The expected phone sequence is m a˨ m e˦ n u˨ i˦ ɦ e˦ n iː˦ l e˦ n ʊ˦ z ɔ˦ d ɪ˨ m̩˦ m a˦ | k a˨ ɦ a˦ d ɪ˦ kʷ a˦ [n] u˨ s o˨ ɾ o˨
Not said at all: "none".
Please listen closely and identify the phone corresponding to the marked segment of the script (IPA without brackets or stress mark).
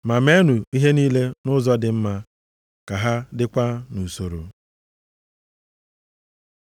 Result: n